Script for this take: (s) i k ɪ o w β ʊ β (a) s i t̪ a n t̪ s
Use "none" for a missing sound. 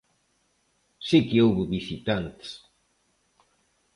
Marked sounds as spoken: s, i

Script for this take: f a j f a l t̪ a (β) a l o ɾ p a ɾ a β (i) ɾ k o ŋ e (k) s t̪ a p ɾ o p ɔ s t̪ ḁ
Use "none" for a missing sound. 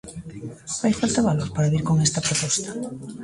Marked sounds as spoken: β, i, none

